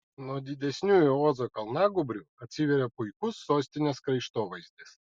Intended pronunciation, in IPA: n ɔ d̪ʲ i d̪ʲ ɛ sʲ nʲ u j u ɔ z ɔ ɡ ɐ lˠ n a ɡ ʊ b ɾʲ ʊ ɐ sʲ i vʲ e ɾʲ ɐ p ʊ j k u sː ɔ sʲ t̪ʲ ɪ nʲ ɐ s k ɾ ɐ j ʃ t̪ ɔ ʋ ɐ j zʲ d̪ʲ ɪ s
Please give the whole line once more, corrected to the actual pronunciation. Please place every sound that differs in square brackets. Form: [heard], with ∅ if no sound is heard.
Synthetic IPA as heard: n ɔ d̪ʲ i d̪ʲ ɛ sʲ nʲ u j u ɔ z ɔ [k] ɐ lˠ n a ɡ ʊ b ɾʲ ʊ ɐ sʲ i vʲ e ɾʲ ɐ p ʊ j k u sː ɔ sʲ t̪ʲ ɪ nʲ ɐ s k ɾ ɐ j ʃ t̪ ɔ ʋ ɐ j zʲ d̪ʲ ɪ s